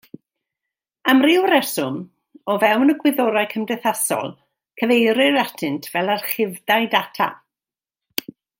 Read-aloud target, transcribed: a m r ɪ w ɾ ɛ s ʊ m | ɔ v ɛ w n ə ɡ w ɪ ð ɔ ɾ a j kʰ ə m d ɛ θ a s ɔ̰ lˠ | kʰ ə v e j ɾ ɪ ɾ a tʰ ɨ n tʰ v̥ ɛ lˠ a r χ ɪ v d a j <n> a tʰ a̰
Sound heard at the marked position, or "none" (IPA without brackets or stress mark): d